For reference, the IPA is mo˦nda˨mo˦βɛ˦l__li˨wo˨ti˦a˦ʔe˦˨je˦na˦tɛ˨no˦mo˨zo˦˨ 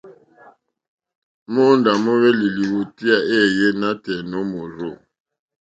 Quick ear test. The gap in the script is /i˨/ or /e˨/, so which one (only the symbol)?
i˨